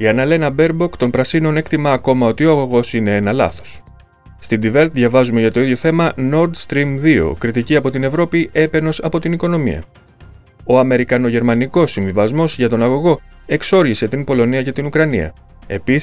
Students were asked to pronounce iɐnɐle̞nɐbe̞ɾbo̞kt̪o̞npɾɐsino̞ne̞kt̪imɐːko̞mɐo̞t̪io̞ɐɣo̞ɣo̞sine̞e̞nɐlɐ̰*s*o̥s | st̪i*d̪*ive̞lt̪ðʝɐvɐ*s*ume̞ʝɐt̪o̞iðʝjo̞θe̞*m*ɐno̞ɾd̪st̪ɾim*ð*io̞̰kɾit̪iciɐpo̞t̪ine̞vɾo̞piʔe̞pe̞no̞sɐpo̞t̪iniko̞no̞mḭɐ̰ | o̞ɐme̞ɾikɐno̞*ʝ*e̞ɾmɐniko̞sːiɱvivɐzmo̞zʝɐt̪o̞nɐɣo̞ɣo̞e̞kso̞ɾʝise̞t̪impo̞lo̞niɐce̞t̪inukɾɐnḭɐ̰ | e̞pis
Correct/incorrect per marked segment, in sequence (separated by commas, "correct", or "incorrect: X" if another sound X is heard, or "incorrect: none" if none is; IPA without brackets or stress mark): incorrect: θ, correct, incorrect: z, correct, correct, correct